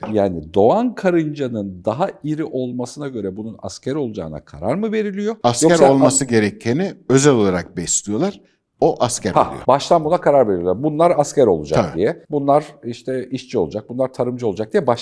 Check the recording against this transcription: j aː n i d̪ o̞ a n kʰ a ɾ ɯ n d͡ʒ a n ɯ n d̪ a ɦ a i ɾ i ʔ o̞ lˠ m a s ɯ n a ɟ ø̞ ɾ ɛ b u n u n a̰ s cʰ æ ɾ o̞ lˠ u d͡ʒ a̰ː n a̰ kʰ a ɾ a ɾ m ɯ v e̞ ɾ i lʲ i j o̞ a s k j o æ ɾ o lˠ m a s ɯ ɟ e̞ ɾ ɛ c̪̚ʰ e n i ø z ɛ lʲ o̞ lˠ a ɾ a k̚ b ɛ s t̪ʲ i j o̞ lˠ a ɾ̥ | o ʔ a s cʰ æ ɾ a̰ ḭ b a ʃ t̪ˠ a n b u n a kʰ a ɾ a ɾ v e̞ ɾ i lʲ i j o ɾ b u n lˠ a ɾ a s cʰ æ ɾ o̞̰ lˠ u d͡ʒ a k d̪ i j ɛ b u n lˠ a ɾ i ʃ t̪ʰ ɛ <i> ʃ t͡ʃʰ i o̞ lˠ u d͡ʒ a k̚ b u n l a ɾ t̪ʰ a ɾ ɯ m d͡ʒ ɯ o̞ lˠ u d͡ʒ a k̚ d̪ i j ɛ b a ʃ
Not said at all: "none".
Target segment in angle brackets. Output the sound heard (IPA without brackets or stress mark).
i